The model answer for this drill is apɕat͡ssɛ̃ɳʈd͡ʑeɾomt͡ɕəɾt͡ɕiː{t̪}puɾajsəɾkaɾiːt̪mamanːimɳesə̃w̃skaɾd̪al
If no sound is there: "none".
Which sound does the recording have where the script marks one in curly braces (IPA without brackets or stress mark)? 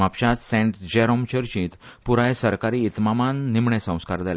t̪